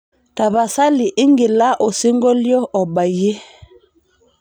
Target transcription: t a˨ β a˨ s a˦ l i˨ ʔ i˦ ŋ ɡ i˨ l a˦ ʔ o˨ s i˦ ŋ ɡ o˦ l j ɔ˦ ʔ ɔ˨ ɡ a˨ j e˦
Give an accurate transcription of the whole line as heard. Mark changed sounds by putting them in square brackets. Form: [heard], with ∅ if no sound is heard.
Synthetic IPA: t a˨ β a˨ s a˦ l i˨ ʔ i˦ ŋ ɡ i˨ l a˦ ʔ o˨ s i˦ ŋ ɡ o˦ l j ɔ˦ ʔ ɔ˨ [b] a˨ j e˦